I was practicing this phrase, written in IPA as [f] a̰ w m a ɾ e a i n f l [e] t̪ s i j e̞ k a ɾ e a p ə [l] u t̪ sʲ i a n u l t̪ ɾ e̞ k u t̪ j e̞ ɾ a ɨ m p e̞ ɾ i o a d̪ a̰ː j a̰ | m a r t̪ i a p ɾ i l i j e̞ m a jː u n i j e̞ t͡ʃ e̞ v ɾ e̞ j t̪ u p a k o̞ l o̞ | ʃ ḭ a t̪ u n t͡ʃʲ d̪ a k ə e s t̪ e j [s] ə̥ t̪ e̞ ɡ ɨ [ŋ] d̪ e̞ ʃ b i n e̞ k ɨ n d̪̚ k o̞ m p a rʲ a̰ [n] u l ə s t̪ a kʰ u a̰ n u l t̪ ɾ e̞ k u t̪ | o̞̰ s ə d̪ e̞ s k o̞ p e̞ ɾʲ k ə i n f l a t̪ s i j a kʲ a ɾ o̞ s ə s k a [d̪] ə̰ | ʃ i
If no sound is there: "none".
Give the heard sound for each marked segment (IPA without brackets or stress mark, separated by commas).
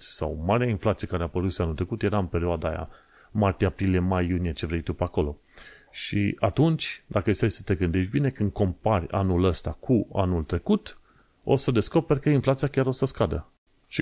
s, a, ɾ, s, n, n, d̪